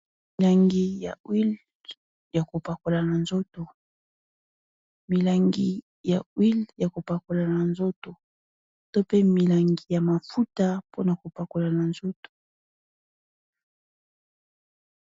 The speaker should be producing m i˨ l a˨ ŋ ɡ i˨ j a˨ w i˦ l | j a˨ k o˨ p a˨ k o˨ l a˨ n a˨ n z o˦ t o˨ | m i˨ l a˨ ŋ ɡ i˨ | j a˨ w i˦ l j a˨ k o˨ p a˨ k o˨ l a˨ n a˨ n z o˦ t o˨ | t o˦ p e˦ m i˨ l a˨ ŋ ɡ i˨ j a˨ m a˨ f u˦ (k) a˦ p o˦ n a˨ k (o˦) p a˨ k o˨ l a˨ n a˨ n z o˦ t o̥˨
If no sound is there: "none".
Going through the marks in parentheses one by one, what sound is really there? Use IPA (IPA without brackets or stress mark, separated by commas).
t, o˨